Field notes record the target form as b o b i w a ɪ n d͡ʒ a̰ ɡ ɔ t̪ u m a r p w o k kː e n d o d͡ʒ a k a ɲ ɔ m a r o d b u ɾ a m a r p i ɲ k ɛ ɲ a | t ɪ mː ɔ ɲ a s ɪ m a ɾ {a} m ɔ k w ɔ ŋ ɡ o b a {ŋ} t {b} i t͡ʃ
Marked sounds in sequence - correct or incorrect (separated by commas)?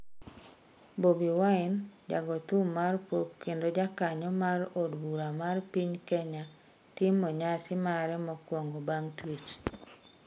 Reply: incorrect, correct, incorrect